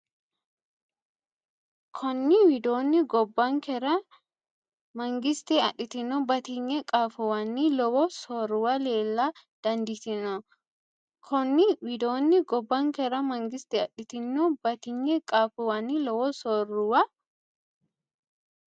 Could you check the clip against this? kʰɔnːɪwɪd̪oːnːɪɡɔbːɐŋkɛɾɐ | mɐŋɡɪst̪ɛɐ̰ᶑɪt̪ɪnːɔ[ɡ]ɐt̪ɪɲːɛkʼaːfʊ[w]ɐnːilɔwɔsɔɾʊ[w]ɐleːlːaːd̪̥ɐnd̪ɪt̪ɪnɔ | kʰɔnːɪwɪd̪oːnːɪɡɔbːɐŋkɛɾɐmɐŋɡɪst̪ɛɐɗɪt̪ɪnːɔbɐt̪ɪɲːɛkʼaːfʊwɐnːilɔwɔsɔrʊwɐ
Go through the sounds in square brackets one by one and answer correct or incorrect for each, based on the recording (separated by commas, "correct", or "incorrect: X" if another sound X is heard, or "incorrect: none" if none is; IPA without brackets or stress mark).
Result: incorrect: b, correct, correct